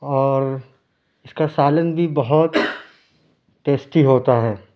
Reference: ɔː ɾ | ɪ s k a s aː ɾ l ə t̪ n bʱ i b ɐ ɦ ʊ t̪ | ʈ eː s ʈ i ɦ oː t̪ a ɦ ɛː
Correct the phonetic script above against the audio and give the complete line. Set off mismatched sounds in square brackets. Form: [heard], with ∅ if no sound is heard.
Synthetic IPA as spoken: ɔː ɾ | ɪ s k a s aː [∅] l ə [∅] n bʱ i b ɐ ɦ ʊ t̪ | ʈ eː s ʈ i ɦ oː t̪ a ɦ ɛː